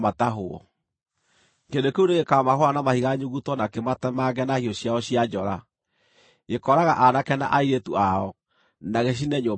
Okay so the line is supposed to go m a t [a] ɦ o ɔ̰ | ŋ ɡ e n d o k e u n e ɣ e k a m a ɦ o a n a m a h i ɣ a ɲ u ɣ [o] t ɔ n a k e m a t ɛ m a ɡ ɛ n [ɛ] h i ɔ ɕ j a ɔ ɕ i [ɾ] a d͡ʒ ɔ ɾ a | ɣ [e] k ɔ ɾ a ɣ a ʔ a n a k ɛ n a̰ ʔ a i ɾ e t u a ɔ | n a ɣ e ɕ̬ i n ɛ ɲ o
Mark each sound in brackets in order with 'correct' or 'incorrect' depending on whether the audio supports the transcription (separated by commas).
correct, incorrect, incorrect, incorrect, correct